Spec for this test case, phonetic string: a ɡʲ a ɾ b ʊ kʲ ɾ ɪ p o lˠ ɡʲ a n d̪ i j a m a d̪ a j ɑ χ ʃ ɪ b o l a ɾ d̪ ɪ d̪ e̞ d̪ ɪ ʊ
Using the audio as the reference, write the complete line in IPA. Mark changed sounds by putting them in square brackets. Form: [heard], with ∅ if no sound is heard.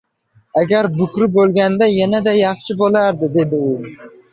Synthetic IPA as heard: a ɡʲ a ɾ b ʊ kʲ ɾ ɪ [b] o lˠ ɡʲ a n d̪ [a] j a [n] a d̪ a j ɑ χ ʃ ɪ b o l a ɾ d̪ ɪ d̪ e̞ d̪ ɪ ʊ